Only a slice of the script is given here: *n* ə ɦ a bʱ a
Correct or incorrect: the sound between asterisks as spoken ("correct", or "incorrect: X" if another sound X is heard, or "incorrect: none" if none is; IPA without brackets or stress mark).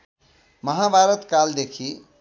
incorrect: m